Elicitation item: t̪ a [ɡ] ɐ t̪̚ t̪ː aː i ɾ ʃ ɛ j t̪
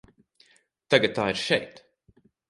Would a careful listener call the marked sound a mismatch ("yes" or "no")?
no